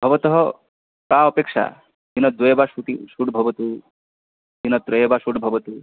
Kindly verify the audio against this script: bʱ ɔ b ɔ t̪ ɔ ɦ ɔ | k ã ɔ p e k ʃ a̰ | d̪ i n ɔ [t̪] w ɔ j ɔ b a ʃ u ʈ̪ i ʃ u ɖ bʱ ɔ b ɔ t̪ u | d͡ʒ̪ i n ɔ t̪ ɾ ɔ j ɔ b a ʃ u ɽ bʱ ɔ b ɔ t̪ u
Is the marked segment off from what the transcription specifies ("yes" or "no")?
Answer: yes